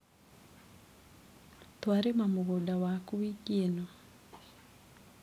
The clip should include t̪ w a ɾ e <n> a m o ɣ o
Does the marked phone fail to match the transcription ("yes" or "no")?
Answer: yes